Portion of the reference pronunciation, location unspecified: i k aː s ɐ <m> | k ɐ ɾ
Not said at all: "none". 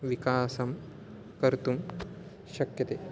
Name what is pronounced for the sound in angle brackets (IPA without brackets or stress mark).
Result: m